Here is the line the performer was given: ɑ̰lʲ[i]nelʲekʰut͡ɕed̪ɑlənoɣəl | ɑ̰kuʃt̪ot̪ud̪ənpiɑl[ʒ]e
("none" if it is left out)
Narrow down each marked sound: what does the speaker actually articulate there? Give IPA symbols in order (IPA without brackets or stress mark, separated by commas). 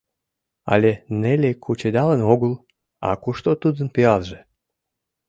e, ʒ